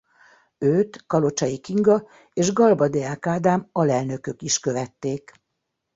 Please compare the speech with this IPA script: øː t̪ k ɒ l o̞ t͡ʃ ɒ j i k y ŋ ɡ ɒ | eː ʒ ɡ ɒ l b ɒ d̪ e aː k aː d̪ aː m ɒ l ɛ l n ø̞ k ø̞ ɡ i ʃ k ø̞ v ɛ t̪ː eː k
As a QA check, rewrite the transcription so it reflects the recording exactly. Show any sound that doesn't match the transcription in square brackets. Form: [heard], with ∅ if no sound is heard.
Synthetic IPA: øː t̪ k ɒ l o̞ t͡ʃ ɒ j i k [i] ŋ ɡ ɒ | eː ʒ ɡ ɒ l b ɒ d̪ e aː k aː d̪ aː m ɒ l ɛ l n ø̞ k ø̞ [k] i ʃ k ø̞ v ɛ t̪ː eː k